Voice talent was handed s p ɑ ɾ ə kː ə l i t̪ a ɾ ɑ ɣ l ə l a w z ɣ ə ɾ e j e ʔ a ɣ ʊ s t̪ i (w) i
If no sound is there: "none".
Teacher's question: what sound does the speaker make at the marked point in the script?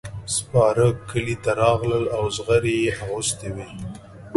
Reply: w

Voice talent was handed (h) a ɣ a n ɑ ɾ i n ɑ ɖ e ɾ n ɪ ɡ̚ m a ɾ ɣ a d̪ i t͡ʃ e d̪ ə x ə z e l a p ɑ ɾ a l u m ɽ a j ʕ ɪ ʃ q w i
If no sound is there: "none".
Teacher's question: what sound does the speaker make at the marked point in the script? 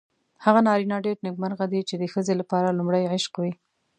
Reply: h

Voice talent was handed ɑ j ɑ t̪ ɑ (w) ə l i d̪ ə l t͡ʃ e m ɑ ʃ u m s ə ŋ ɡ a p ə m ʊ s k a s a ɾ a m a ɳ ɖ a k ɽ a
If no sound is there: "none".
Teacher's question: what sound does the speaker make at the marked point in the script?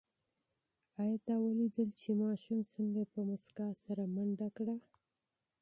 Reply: w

